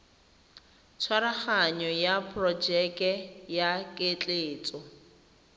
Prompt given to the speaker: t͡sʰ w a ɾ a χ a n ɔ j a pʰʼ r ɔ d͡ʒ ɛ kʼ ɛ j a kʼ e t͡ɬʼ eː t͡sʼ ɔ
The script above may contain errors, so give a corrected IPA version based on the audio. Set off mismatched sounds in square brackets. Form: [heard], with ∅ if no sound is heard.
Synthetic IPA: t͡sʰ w a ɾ a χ a [ɲ] ɔ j a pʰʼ r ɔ d͡ʒ ɛ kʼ ɛ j a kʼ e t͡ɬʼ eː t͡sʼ ɔ

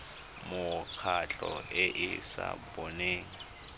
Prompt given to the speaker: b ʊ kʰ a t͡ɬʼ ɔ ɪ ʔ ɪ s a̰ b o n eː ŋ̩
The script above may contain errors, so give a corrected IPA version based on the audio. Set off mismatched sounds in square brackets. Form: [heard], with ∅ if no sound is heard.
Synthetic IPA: [m] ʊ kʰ a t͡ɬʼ ɔ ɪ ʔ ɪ s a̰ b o n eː ŋ̩

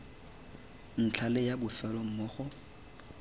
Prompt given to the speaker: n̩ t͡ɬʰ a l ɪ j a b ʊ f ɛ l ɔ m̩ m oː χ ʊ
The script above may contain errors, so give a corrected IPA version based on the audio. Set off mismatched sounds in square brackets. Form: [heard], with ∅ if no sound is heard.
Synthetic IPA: n̩ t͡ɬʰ a l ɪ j a b ʊ f ɛ l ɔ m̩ m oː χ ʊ

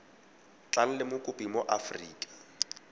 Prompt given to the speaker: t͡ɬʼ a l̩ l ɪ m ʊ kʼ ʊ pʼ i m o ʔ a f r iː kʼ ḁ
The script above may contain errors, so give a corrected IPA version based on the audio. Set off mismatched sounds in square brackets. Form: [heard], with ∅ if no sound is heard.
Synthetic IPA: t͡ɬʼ a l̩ l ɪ m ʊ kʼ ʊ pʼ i m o ʔ a f r iː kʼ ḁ

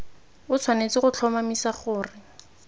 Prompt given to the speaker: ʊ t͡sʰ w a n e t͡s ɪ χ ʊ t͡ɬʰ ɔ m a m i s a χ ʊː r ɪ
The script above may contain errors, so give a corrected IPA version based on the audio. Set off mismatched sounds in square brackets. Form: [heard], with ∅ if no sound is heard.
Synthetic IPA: ʊ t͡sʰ w a n e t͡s ɪ χ ʊ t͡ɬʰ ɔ m a m i s a χ ʊː r ɪ

